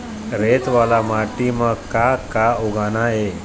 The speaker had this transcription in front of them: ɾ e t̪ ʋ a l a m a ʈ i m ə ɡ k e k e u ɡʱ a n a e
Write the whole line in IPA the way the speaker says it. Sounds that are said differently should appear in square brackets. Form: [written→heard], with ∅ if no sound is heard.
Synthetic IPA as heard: ɾ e t̪ ʋ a l a m a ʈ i m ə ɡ k [e→a] k [e→a] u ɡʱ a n a e